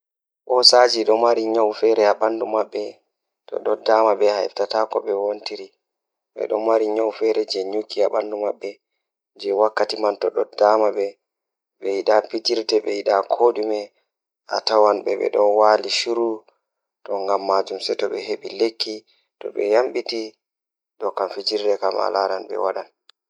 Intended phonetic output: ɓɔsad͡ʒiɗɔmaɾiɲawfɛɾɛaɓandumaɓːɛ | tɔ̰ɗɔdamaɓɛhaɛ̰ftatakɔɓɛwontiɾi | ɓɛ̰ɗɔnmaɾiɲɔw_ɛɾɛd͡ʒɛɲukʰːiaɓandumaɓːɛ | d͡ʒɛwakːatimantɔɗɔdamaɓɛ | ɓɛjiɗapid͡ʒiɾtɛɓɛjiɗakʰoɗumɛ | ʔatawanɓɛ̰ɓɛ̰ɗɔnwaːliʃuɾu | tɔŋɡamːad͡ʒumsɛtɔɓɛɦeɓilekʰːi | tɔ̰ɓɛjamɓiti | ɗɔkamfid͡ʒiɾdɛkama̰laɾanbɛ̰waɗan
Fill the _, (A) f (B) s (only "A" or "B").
A